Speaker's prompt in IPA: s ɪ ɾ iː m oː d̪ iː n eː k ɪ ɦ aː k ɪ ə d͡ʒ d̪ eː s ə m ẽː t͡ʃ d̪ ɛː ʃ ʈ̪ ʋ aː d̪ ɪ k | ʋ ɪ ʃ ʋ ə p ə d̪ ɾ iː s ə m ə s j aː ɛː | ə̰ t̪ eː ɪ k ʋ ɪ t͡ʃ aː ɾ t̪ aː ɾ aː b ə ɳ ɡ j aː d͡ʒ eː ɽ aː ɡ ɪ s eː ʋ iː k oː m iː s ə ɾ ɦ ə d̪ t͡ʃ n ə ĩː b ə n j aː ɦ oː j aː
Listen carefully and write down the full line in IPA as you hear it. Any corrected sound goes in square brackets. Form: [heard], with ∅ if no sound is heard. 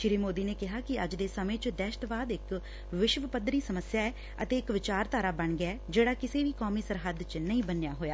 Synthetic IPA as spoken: [ʃ] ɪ ɾ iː m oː d̪ iː n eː k ɪ ɦ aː k ɪ ə d͡ʒ d̪ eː s ə m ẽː t͡ʃ d̪ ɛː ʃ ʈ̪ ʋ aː d̪ ɪ k | ʋ ɪ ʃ ʋ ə p ə d̪ ɾ iː s ə m ə s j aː ɛː | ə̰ t̪ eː ɪ k ʋ ɪ t͡ʃ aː ɾ t̪ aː ɾ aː b ə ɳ ɡ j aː d͡ʒ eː ɽ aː [k] ɪ s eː ʋ iː k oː m iː s ə ɾ ɦ ə d̪ t͡ʃ n ə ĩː b ə n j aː ɦ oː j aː

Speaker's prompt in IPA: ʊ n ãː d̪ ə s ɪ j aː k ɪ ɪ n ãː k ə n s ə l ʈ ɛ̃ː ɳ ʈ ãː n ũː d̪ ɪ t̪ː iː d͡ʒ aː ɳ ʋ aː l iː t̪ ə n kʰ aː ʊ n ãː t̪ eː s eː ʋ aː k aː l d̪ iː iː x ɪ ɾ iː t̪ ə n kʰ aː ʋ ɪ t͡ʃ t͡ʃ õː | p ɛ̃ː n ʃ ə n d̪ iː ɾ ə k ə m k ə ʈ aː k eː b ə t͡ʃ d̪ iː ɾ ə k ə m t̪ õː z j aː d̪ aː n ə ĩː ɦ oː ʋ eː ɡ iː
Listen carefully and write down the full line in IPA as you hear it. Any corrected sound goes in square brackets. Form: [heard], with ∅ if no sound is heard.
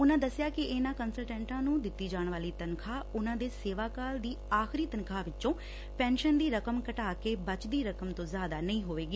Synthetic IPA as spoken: ʊ n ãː d̪ ə s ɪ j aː k ɪ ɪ n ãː k ə n s ə l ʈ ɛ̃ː ɳ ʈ ãː n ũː d̪ ɪ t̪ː iː d͡ʒ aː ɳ ʋ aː l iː t̪ ə n kʰ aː ʊ n ãː [d̪] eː s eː ʋ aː k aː l d̪ iː [aː] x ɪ ɾ iː t̪ ə n kʰ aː ʋ ɪ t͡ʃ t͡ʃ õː | p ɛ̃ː n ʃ ə n d̪ iː ɾ ə k ə m k ə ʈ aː k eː b ə t͡ʃ d̪ iː ɾ ə k ə m t̪ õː z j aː d̪ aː n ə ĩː ɦ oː ʋ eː ɡ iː

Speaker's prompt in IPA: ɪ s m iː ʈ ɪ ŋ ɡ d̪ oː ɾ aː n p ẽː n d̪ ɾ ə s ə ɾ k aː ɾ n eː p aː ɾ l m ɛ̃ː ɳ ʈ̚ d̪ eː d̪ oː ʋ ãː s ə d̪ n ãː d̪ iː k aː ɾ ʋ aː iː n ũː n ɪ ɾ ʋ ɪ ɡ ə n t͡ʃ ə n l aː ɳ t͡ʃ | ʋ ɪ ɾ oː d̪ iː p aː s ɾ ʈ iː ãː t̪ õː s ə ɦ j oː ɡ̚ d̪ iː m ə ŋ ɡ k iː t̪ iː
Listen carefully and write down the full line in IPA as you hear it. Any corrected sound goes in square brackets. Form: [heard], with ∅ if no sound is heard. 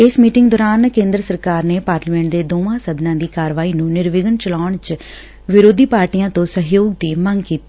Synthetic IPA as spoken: ɪ s m iː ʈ ɪ ŋ ɡ d̪ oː ɾ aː n [k] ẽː n d̪ ɾ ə s ə ɾ k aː ɾ n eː p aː ɾ l m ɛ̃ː ɳ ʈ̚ d̪ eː d̪ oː ʋ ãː s ə d̪ n ãː d̪ iː k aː ɾ ʋ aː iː n ũː n ɪ ɾ ʋ ɪ ɡ ə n t͡ʃ ə [∅] l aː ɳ t͡ʃ | ʋ ɪ ɾ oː d̪ iː p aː [∅] ɾ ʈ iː ãː t̪ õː s ə ɦ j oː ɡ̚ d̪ iː m ə ŋ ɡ k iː t̪ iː

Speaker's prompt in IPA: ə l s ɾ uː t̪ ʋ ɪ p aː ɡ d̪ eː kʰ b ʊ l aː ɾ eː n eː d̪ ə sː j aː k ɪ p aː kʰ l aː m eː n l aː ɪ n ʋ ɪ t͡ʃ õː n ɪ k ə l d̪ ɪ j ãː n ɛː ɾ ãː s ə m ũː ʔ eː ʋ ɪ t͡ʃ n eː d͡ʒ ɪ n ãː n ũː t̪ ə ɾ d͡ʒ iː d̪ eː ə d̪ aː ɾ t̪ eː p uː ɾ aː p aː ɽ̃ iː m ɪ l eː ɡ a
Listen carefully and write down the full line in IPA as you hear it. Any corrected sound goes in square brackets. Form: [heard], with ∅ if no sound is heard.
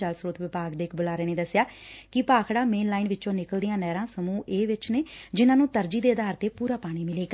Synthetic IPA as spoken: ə l s ɾ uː t̪ ʋ ɪ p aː ɡ d̪ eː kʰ b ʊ l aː ɾ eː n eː d̪ ə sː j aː k ɪ p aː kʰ [ɽ] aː m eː n l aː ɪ n ʋ ɪ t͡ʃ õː n ɪ k ə l d̪ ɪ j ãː n ɛː ɾ ãː s ə m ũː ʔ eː ʋ ɪ t͡ʃ n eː d͡ʒ ɪ n ãː n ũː t̪ ə ɾ d͡ʒ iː d̪ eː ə d̪ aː ɾ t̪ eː p uː ɾ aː p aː ɽ̃ iː m ɪ l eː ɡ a

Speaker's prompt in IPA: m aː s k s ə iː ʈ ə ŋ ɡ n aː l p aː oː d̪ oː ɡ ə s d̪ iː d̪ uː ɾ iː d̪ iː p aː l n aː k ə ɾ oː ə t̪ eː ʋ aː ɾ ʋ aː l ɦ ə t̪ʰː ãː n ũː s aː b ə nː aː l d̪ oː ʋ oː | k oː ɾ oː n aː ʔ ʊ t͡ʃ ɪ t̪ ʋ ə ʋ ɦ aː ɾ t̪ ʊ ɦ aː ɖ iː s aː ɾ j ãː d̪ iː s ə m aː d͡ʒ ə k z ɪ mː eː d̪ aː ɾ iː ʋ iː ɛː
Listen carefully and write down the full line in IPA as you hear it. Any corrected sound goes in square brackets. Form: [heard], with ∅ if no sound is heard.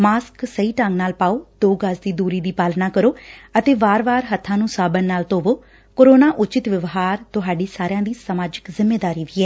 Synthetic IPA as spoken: m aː s k s ə iː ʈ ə ŋ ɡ n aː l p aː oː d̪ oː ɡ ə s d̪ iː d̪ uː ɾ iː d̪ iː p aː l n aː k ə ɾ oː ə t̪ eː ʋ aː ɾ ʋ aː [ɾ] ɦ ə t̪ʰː ãː n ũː s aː b ə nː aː l [t̪] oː ʋ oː | k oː ɾ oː n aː ʔ ʊ t͡ʃ ɪ t̪ ʋ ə ʋ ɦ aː ɾ t̪ ʊ ɦ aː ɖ iː s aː ɾ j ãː d̪ iː s ə m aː d͡ʒ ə k z ɪ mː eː d̪ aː ɾ iː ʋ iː ɛː

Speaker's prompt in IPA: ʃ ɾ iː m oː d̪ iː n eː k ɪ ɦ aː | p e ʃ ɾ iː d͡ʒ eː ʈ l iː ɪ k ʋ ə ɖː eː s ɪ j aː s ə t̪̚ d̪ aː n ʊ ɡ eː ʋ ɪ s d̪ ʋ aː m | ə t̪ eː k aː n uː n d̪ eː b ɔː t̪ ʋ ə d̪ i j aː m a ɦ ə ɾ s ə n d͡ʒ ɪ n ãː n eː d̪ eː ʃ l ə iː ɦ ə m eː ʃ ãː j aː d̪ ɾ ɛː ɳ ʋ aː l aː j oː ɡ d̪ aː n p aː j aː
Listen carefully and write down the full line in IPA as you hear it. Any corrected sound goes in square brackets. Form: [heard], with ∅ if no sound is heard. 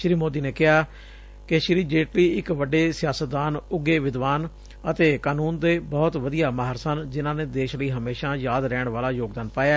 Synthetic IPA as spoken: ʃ ɾ iː m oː d̪ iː n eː k ɪ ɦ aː | [k] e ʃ ɾ iː d͡ʒ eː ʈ l iː ɪ k ʋ ə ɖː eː s ɪ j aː s ə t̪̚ d̪ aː n ʊ ɡ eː ʋ ɪ [∅] d̪ ʋ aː [n] | ə t̪ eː k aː n uː n d̪ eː b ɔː t̪ ʋ ə d̪ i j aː m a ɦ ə ɾ s ə n d͡ʒ ɪ n ãː n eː d̪ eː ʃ l ə iː ɦ ə m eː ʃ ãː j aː d̪ ɾ ɛː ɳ ʋ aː l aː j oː ɡ d̪ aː n p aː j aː

